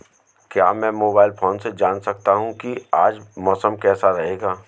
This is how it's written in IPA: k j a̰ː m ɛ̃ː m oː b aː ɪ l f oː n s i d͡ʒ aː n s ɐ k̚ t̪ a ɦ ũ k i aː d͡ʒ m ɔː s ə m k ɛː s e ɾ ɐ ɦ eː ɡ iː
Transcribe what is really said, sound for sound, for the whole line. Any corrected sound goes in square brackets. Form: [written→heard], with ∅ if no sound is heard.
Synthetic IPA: k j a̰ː m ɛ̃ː m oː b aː ɪ l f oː n s [i→e] d͡ʒ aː n s ɐ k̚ t̪ a ɦ ũ k i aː d͡ʒ m ɔː s ə m k ɛː s [e→a] ɾ ɐ ɦ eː ɡ [iː→aː]